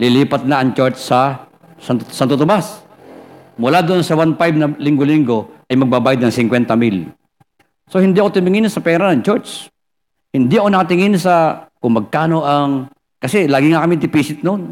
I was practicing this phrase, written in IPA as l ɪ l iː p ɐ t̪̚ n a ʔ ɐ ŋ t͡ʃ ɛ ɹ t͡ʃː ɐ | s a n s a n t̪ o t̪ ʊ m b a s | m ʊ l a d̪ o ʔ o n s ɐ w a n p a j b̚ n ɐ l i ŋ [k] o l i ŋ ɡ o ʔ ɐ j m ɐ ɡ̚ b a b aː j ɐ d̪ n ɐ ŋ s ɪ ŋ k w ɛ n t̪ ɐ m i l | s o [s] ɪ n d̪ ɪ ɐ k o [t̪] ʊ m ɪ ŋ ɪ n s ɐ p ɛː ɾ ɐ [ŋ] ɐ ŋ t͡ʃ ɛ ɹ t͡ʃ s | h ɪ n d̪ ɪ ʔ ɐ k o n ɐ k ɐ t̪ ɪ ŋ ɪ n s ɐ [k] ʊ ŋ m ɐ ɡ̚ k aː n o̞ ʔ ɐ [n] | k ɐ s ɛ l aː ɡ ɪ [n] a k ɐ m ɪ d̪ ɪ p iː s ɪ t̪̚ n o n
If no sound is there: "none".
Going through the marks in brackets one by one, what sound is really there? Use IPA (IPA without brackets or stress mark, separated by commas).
ɡ, h, t̪, n, k, ŋ, ŋ